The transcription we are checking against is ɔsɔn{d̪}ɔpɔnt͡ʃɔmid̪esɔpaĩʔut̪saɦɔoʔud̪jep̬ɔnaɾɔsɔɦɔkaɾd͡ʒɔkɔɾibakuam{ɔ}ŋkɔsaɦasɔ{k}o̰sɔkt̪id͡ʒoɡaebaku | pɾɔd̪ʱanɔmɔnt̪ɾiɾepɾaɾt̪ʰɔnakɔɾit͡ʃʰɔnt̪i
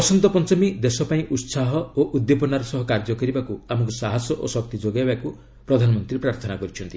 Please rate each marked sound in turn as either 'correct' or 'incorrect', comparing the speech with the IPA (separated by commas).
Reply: incorrect, correct, incorrect